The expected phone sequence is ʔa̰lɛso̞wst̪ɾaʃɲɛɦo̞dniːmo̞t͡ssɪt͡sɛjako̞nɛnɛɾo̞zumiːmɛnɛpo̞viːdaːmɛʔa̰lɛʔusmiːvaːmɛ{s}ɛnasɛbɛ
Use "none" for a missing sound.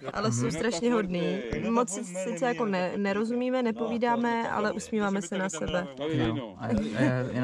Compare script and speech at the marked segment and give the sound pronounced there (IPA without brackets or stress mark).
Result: s